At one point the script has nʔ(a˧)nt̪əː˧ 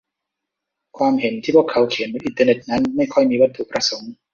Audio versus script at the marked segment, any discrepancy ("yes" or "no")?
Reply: yes